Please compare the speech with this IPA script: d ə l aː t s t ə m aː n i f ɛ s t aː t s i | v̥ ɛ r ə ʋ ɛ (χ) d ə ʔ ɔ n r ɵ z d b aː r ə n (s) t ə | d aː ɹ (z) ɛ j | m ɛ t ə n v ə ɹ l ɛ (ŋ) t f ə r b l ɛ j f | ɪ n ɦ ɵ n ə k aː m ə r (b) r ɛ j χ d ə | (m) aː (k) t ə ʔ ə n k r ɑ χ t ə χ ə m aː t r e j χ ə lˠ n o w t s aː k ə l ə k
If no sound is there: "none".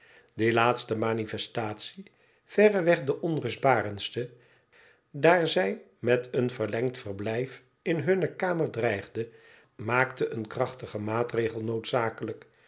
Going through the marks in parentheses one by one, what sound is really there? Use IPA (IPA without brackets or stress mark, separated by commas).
χ, s, z, ŋ, d, m, k